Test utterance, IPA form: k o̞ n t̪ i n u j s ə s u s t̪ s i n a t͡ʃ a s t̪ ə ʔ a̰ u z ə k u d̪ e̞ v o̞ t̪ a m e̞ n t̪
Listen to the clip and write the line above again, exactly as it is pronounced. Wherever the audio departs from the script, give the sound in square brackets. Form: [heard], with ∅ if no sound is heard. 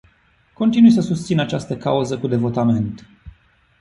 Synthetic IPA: k o̞ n t̪ i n u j s ə s u s t̪ s i n a t͡ʃ a s t̪ ə [k] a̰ u z ə k u d̪ e̞ v o̞ t̪ a m e̞ n t̪